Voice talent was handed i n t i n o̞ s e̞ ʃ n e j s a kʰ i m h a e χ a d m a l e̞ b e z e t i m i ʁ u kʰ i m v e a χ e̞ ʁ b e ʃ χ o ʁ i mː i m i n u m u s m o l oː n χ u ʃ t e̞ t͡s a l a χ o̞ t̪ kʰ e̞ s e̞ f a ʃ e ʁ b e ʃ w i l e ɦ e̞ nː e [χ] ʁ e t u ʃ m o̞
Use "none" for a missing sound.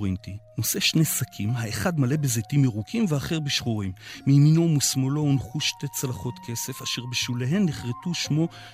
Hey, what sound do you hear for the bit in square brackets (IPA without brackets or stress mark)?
χ